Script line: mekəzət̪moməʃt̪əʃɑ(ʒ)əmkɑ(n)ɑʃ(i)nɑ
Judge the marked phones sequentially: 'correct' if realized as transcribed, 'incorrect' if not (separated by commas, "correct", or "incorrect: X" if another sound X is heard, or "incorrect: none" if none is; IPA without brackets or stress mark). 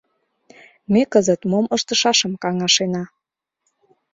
incorrect: ʃ, incorrect: ŋ, incorrect: e